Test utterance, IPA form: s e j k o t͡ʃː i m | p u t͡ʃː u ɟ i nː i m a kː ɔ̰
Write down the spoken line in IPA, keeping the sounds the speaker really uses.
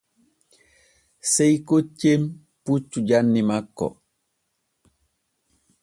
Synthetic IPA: s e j k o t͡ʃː e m | p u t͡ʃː u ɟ a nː i m a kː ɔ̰